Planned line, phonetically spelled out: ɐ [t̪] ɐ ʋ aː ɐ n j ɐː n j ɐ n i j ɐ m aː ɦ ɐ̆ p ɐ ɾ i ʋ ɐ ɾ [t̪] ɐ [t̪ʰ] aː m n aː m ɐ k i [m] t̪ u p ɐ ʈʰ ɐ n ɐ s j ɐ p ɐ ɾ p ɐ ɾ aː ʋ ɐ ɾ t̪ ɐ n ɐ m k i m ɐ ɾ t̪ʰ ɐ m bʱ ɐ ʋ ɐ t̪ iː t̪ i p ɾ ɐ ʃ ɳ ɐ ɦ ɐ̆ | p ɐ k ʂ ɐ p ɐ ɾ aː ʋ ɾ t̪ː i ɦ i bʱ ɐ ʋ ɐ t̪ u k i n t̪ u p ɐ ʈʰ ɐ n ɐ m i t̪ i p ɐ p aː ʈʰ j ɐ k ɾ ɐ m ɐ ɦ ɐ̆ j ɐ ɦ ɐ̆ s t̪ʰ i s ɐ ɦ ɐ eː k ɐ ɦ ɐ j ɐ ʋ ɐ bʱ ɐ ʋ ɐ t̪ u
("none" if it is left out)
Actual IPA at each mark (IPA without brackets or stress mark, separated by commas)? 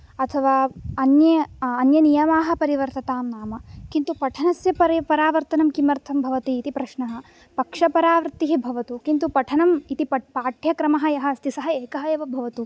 t̪ʰ, t̪, t̪, n